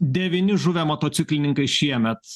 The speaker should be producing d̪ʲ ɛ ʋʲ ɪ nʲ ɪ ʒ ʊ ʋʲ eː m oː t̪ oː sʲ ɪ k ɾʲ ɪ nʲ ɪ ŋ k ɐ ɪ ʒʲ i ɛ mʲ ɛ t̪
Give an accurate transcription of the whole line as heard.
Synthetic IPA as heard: d̪ʲ ɛ ʋʲ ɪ nʲ ɪ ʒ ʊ ʋʲ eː m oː t̪ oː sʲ ɪ k lʲ ɪ nʲ ɪ ŋ k ɐ ɪ ʃʲ i ɛ mʲ ɛ t̪